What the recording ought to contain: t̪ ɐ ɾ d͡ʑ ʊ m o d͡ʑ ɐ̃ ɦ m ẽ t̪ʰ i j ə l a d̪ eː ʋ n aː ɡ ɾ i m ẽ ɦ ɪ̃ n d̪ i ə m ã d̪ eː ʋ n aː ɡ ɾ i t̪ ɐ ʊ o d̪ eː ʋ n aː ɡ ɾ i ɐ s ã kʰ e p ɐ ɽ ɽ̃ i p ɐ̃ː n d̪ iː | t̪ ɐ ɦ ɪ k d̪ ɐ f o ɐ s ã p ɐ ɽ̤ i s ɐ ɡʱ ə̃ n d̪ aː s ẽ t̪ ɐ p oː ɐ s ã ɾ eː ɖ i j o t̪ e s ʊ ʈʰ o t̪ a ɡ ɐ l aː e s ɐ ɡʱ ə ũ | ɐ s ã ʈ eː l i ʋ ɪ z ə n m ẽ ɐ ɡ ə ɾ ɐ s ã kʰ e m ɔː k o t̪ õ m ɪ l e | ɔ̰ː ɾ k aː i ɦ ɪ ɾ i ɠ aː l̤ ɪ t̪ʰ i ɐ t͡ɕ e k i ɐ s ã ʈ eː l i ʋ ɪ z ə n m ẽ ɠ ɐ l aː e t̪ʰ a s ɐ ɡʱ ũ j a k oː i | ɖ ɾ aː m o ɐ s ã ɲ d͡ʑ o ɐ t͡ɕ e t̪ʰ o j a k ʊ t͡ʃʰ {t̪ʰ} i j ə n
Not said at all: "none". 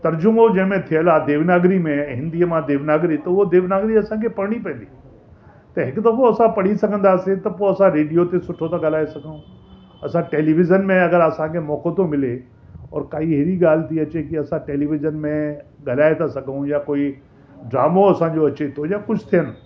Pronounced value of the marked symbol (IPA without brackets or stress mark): t̪ʰ